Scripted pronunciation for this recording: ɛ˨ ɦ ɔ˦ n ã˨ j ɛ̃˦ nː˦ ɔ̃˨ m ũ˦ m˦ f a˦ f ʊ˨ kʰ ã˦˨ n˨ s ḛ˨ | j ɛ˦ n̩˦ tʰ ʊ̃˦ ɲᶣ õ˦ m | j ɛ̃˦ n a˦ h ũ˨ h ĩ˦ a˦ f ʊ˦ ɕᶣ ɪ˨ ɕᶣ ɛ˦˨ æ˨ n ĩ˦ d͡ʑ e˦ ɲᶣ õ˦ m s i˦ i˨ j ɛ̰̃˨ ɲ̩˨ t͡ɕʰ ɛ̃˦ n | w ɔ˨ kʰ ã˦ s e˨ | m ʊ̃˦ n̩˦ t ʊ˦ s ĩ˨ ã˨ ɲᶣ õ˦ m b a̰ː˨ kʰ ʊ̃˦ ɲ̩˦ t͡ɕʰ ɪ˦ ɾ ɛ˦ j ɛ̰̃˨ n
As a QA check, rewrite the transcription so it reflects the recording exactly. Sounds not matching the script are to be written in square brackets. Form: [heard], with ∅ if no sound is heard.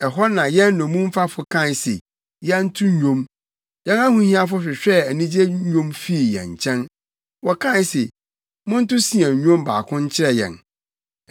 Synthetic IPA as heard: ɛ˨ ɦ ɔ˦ n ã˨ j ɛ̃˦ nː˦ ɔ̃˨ m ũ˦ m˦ f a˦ f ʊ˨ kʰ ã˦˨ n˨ s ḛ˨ | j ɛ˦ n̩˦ tʰ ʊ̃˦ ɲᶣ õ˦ m | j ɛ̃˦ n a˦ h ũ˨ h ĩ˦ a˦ f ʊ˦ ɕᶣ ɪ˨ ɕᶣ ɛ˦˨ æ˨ n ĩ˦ d͡ʑ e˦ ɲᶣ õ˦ m [f] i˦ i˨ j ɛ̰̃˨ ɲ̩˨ t͡ɕʰ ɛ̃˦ n | w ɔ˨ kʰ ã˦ s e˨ | m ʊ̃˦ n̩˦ t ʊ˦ s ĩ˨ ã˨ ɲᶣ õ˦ m b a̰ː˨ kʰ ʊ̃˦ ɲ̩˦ t͡ɕʰ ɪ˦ ɾ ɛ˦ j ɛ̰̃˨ n